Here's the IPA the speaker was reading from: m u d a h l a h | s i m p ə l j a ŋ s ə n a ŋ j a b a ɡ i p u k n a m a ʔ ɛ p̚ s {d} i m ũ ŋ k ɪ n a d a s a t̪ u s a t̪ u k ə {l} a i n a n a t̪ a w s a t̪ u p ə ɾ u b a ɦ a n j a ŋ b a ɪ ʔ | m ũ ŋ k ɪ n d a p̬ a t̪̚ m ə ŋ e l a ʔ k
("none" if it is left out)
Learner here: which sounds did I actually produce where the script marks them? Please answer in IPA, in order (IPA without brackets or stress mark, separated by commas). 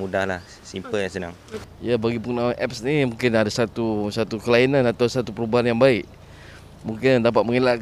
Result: n, l